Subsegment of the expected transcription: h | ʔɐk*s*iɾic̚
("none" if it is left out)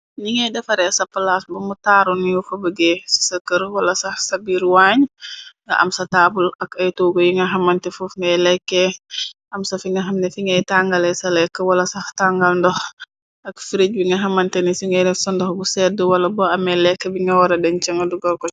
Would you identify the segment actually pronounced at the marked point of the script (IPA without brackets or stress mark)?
f